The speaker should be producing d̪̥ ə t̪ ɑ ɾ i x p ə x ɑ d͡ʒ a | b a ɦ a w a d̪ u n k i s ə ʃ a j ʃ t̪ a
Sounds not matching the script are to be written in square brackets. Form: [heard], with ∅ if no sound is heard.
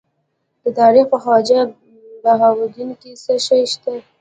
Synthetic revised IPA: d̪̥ ə t̪ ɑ ɾ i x p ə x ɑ d͡ʒ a | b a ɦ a w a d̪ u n k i s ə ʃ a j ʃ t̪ a